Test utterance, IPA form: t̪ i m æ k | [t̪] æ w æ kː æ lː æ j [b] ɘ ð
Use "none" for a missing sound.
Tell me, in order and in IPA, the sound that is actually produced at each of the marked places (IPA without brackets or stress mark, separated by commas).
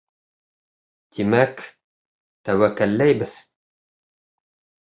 t̪, b